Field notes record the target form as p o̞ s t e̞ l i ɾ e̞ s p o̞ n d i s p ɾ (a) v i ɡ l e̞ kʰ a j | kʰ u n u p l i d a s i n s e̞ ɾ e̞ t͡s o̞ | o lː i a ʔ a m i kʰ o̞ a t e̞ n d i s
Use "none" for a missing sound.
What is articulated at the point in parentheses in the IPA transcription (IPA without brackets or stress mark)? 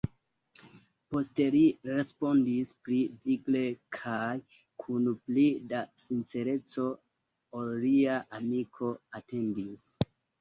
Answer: i